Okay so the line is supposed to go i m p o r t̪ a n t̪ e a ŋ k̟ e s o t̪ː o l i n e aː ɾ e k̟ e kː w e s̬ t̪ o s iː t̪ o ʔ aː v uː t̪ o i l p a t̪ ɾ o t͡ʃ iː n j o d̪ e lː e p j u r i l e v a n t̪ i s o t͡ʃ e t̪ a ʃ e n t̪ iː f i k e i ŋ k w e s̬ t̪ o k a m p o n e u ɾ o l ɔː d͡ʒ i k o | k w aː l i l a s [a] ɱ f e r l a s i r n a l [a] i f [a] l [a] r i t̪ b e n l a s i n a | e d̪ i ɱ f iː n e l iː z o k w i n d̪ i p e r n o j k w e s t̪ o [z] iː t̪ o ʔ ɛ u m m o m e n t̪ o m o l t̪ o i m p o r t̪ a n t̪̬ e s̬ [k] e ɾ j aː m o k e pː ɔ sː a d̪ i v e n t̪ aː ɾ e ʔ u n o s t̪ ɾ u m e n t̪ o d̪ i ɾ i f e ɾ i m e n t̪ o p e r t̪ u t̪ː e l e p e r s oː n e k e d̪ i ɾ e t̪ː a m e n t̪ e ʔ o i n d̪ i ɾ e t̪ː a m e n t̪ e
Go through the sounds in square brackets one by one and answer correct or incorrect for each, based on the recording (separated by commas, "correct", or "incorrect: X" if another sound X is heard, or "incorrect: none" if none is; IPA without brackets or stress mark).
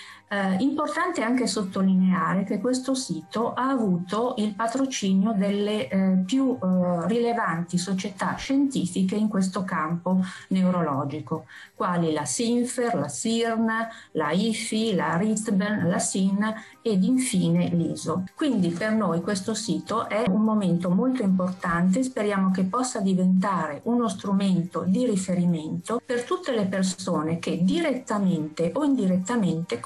incorrect: i, correct, incorrect: i, correct, incorrect: s, incorrect: p